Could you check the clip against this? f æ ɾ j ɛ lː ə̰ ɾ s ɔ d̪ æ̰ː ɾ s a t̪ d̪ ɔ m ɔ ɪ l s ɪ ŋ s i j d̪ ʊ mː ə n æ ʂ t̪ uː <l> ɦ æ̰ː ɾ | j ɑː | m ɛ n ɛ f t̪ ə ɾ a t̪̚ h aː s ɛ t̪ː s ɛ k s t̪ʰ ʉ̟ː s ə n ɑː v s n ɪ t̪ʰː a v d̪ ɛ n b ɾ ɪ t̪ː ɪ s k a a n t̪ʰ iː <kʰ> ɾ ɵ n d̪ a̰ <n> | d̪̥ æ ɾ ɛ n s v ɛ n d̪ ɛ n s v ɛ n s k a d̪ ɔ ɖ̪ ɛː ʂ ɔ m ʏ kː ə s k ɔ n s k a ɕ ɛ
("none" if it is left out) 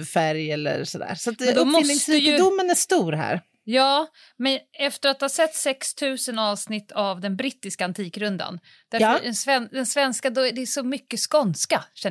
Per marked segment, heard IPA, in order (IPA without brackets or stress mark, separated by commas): ɾ, k, n